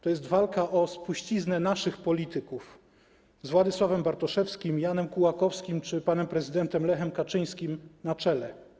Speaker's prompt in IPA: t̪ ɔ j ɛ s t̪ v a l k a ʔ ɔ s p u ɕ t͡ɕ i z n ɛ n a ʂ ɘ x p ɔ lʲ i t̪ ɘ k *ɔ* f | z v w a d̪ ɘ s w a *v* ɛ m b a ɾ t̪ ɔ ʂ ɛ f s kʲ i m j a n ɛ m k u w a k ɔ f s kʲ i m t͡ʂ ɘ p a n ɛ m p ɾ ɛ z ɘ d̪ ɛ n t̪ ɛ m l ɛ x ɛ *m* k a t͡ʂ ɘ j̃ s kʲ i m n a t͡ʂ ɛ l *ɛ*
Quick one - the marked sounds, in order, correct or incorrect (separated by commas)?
incorrect, correct, correct, correct